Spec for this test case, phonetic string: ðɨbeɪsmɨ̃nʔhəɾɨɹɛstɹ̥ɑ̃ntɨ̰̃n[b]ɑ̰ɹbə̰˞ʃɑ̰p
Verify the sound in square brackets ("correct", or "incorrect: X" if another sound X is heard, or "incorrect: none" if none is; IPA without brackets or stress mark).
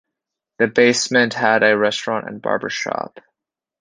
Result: correct